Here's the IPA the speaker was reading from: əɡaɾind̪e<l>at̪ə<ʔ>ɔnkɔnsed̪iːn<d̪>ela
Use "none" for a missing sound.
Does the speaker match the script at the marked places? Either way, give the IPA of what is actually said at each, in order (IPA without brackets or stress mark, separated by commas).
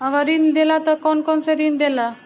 l, k, d̪